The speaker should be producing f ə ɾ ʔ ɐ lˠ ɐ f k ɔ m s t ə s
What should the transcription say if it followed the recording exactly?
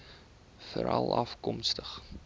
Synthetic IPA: f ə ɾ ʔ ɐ lˠ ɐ f k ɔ m s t ə χ